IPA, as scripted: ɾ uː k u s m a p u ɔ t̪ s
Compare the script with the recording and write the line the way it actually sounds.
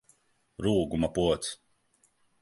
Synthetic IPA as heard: ɾ uː ɡ u m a p u ɔ t̪ s